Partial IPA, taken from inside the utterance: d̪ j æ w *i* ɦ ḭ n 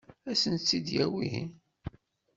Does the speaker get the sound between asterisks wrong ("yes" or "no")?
no